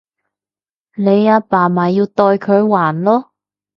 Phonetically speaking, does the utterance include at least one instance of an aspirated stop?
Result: yes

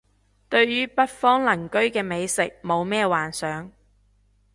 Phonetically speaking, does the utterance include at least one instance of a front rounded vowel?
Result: yes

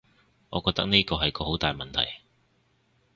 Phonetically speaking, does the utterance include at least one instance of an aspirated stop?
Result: yes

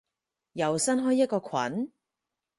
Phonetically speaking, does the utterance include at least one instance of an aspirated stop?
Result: yes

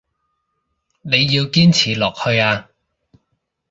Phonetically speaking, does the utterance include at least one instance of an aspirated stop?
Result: yes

